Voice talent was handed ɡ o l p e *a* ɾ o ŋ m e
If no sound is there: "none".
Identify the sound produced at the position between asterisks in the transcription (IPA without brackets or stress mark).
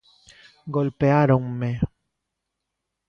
a